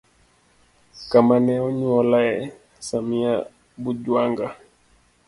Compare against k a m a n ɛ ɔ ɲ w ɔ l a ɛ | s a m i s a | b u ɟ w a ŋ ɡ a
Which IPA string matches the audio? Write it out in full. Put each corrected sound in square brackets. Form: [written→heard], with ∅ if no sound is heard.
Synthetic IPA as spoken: k a m a n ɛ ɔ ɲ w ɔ l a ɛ | s a m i [s→∅] a | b u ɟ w a ŋ ɡ a